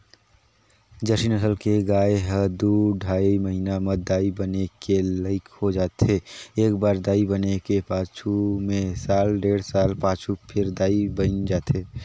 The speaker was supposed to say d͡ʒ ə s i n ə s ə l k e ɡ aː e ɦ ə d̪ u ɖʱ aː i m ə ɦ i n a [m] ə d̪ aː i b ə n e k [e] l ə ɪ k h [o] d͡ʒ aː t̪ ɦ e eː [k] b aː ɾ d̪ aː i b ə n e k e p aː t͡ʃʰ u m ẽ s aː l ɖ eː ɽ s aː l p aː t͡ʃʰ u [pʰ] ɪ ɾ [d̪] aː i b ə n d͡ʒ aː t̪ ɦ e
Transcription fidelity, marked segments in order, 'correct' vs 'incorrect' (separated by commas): correct, correct, correct, correct, correct, correct